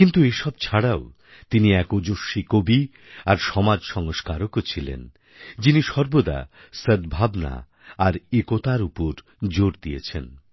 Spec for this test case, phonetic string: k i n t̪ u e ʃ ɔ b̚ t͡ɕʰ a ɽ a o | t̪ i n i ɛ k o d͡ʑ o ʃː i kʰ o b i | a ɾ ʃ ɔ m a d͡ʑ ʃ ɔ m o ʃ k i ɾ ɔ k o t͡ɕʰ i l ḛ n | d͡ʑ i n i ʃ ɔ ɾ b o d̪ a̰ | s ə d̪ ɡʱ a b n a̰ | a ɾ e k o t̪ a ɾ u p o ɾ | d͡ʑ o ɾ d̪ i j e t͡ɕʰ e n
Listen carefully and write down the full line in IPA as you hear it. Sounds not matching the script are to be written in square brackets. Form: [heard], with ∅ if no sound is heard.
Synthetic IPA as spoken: k i n t̪ u e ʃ ɔ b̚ t͡ɕʰ a ɽ a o | t̪ i n i ɛ k o d͡ʑ o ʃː i [k] o b i | a ɾ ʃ ɔ m a d͡ʑ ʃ ɔ [ŋ] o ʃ k [a] ɾ [o] k o t͡ɕʰ i l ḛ n | d͡ʑ i n i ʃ ɔ ɾ b o d̪ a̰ | s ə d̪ [bʱ] a b n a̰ | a ɾ e k o t̪ a ɾ u p o ɾ | d͡ʑ o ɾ d̪ i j e t͡ɕʰ e n